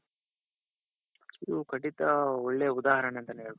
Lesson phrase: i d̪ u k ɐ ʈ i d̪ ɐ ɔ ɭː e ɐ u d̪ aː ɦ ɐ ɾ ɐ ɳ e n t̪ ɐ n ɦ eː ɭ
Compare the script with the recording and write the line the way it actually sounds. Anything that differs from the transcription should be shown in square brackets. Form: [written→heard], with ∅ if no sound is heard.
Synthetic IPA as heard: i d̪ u k ɐ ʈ i [d̪→t̪] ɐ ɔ ɭː e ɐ u d̪ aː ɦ ɐ ɾ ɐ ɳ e n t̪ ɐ n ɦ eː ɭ